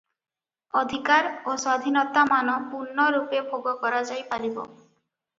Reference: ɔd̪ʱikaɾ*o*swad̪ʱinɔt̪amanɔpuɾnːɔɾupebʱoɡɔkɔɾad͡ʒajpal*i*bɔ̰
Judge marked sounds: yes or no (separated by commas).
yes, yes